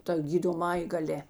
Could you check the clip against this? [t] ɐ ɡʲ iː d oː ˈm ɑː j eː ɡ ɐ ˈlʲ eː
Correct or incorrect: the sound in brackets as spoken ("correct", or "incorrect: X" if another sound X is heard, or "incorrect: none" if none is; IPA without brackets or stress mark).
correct